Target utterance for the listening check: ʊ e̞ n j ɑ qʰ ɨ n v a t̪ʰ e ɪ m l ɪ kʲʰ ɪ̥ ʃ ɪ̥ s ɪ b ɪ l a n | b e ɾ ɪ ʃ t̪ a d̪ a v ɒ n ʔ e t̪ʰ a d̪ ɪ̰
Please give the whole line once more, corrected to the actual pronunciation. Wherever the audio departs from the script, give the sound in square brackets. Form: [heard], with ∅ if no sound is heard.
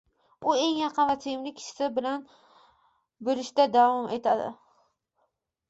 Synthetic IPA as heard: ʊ e̞ [ŋ] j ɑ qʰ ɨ n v a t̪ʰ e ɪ m l ɪ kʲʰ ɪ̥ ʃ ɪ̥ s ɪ b ɪ l a n | b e ɾ ɪ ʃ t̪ a d̪ a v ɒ [m] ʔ e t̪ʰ a d̪ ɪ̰